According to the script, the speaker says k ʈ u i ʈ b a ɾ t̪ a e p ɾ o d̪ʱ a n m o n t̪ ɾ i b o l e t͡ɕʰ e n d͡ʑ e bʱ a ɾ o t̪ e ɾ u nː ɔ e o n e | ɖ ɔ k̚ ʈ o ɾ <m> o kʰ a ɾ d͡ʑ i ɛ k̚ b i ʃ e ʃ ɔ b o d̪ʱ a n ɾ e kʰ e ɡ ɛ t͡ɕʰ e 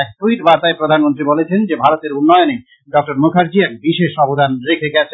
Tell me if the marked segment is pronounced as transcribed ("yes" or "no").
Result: yes